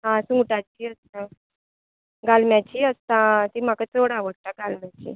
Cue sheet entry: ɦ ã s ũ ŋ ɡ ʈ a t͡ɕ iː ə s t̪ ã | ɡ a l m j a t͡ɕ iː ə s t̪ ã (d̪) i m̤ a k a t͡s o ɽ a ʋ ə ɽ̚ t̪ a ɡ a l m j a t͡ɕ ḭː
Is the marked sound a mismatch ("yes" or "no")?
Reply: yes